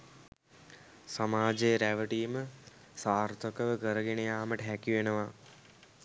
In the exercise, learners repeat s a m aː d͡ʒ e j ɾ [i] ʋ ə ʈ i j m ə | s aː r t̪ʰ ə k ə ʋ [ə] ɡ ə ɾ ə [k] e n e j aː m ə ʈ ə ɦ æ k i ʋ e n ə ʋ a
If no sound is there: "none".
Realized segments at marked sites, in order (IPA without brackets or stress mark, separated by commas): æ, ə, ɡ